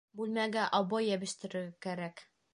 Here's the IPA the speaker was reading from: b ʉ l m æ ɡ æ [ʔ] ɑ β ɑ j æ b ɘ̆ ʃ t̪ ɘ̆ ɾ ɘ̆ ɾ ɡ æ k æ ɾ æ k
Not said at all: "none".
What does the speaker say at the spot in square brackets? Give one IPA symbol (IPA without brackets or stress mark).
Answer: ʔ